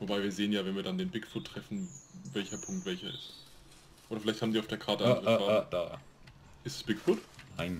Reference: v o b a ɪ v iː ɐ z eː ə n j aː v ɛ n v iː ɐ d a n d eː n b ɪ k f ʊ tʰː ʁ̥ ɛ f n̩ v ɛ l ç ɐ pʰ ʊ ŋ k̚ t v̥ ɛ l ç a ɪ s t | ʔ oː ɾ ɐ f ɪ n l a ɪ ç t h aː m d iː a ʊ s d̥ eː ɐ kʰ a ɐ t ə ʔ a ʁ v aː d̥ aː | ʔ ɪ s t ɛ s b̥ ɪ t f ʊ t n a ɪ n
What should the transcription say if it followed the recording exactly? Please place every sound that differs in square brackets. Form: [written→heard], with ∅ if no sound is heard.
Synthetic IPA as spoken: v o b a ɪ v iː ɐ z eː ə n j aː v ɛ n v iː ɐ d a n d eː n b ɪ k f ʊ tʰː ʁ̥ ɛ f n̩ v ɛ l ç ɐ pʰ ʊ ŋ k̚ t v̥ ɛ l ç [a→ɐ] ɪ s t | ʔ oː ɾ ɐ f ɪ [n→∅] l a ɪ ç t h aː m d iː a ʊ [s→f] d̥ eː ɐ kʰ a ɐ t ə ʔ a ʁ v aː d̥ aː | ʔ ɪ s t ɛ s b̥ ɪ [t→k] f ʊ t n a ɪ n

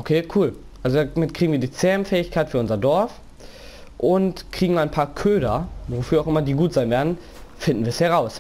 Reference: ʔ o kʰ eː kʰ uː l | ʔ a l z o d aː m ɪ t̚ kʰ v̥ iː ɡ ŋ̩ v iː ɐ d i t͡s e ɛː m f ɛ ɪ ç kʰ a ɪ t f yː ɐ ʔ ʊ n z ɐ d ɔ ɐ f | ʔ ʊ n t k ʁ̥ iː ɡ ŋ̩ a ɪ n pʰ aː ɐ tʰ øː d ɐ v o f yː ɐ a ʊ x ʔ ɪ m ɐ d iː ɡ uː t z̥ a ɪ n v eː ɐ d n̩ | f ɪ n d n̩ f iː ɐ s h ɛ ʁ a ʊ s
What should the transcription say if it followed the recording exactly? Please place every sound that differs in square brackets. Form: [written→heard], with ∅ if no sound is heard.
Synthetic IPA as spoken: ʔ o kʰ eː kʰ uː l | ʔ a l z o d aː m ɪ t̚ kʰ [v̥→ʁ̥] iː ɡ ŋ̩ v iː ɐ d [i→iː] t͡s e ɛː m f [ɛ→ɛː] ɪ ç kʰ a ɪ t f yː ɐ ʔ ʊ n z ɐ d ɔ ɐ f | ʔ ʊ n t k ʁ̥ iː ɡ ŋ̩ a ɪ n pʰ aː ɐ [tʰ→kʰ] øː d ɐ v o f yː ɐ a ʊ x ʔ ɪ m ɐ d iː ɡ uː t z̥ a ɪ n v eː ɐ d n̩ | f ɪ n d n̩ [f→v] iː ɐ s h ɛ ʁ a ʊ s

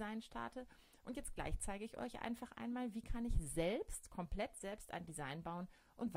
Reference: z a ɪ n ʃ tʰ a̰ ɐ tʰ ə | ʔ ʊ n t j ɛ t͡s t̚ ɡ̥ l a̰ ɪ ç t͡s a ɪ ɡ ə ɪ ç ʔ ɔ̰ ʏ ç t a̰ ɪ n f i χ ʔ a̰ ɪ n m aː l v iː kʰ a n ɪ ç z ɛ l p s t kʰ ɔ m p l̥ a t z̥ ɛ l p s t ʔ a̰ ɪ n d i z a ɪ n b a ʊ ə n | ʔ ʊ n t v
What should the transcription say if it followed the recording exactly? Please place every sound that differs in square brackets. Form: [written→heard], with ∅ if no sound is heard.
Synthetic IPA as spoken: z a ɪ n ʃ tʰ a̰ ɐ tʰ ə | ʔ ʊ n t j ɛ t͡s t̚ ɡ̥ l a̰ ɪ ç t͡s a ɪ ɡ ə ɪ ç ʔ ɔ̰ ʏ ç [t→ʔ] a̰ ɪ n f [i→a] χ ʔ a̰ ɪ n m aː l v iː kʰ a n ɪ ç z ɛ l p s t kʰ ɔ m p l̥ [a→ɛ] t z̥ ɛ l p s t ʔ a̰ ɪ n d i z a ɪ n b a ʊ ə n | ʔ ʊ n t v

